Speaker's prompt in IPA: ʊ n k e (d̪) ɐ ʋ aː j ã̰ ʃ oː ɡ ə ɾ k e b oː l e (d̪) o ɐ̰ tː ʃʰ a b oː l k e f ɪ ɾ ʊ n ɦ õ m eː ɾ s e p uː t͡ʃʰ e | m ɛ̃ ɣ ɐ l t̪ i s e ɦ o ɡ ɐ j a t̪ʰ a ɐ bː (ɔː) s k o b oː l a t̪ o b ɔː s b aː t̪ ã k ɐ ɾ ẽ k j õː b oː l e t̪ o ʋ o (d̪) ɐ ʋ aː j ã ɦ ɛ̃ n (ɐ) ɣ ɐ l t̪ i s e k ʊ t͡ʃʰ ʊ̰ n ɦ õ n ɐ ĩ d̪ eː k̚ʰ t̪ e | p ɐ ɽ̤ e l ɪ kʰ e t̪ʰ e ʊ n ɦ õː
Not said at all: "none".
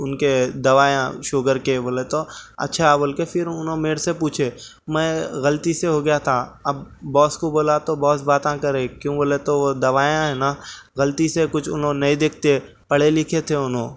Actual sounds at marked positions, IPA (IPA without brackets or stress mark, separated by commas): d̪, t̪, ɔː, d̪, a